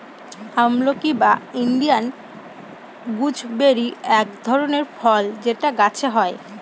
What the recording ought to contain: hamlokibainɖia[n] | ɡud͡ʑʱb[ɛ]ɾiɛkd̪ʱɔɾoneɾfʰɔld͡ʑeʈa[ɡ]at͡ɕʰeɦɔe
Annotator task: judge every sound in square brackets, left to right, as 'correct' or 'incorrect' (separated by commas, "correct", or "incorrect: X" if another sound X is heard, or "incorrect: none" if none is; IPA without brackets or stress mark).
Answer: correct, incorrect: e, correct